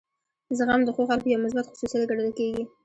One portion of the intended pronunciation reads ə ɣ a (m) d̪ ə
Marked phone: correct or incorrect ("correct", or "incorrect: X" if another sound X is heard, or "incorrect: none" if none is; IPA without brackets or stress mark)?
correct